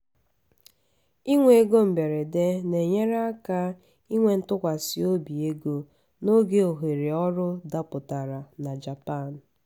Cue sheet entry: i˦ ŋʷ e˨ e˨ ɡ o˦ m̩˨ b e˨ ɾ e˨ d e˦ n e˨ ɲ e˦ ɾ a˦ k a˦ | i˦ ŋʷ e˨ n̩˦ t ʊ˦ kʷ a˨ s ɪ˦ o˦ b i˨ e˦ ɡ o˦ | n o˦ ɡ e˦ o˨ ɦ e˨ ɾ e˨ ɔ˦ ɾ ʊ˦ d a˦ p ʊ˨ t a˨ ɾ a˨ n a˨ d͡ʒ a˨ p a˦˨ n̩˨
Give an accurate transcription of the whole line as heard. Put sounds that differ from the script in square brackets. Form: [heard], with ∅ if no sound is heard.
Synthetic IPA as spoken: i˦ ŋʷ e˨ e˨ ɡ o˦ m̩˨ b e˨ ɾ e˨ d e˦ n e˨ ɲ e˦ ɾ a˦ k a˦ | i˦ ŋʷ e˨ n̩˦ t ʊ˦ kʷ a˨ s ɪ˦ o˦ b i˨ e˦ ɡ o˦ | n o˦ ɡ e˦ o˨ ɦ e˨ ɾ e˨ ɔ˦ ɾ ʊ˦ d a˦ p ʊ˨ t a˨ ɾ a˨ n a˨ d͡ʒ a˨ p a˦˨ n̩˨